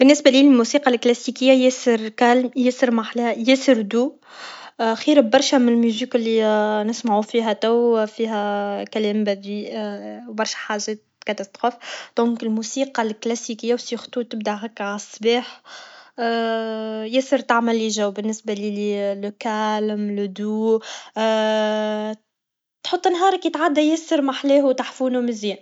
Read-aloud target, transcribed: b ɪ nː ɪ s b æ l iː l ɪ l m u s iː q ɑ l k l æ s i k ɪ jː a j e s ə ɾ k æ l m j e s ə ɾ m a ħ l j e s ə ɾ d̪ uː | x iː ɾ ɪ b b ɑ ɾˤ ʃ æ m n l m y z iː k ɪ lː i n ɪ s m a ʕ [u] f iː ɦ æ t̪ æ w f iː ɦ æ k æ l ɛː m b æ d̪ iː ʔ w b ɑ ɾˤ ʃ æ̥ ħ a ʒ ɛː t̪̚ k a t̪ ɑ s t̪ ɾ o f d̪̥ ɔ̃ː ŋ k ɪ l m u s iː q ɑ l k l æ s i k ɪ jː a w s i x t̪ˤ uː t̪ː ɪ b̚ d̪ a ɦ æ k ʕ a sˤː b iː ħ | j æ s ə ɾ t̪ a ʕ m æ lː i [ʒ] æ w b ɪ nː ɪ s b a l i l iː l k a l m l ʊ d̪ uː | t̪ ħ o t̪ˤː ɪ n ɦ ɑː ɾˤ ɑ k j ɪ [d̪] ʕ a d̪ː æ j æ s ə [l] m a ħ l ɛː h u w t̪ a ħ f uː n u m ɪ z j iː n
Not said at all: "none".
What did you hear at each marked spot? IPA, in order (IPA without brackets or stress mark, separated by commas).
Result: u, ʒ, t̪, ɾ